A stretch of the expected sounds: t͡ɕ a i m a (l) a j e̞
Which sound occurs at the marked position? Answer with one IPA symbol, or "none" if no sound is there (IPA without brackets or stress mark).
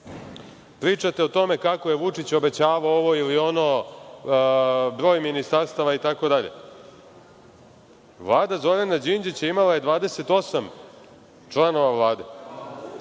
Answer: l